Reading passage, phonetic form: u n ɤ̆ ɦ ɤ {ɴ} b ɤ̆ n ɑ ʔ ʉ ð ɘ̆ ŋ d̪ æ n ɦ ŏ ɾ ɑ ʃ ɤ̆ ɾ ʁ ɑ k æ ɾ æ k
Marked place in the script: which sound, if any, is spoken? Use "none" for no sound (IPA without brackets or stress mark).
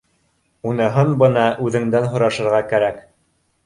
n